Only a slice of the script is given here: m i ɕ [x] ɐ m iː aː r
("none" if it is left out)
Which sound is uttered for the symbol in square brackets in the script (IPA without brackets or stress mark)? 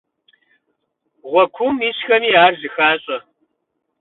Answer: x